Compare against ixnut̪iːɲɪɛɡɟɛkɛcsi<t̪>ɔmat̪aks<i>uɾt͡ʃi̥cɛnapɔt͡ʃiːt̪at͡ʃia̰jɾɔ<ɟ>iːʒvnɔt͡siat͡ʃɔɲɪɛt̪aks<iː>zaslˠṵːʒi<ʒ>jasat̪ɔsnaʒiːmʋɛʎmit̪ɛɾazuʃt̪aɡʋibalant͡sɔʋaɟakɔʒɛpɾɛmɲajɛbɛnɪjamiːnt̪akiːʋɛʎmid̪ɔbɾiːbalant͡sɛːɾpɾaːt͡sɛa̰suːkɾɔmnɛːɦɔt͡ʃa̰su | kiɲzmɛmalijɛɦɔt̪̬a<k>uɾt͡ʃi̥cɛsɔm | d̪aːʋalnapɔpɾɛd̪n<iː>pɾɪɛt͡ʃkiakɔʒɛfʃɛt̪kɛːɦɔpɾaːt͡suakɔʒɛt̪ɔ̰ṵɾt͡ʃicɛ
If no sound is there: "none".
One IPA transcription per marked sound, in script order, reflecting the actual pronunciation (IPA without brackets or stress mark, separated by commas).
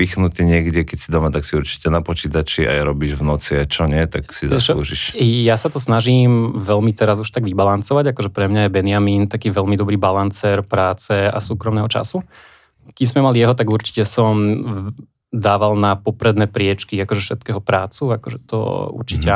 d̪, i, b, i, ʃ, ɡ, ɛː